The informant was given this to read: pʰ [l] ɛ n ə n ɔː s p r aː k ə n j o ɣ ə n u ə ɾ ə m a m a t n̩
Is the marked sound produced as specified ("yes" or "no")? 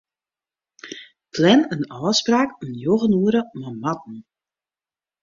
yes